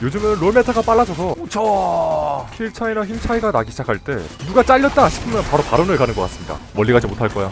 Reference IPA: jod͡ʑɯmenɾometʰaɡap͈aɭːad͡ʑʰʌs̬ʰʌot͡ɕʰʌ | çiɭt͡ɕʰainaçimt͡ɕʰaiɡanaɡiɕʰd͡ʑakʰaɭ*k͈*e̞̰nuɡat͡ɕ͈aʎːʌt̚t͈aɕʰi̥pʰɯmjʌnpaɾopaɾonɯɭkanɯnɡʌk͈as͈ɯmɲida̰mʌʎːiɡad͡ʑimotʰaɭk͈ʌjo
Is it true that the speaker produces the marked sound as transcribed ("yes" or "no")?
no